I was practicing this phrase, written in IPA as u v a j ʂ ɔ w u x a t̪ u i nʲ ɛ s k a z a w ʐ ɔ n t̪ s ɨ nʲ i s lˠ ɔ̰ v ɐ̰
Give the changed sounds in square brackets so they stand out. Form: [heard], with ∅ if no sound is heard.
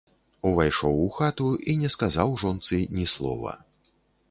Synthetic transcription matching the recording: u v a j ʂ ɔ w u x a t̪ u i nʲ ɛ s k a z a w ʐ ɔ n t̪ s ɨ nʲ i s lˠ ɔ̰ v ɐ̰